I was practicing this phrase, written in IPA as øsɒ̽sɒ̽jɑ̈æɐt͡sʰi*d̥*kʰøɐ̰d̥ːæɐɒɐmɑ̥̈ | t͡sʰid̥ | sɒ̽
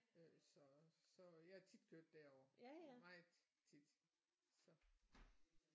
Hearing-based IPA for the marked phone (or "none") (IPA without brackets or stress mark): d̥